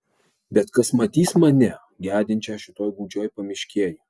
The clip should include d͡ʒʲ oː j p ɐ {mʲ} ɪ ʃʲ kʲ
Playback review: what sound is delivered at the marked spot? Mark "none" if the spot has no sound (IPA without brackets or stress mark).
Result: mʲ